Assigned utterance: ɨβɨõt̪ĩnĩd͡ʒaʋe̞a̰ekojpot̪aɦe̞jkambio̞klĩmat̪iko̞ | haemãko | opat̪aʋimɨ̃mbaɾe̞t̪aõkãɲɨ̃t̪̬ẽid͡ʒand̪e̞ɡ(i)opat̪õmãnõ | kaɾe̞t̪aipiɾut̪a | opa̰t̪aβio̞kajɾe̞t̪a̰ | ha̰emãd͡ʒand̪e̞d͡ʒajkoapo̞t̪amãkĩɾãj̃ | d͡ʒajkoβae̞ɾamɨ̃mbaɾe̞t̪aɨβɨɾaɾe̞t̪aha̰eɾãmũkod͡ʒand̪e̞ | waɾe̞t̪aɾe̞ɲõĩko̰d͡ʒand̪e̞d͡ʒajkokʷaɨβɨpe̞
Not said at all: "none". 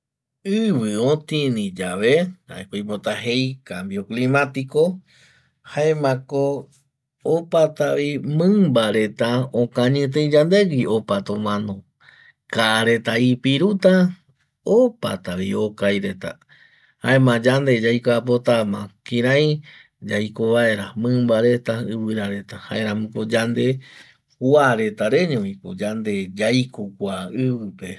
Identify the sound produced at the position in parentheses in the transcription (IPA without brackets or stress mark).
i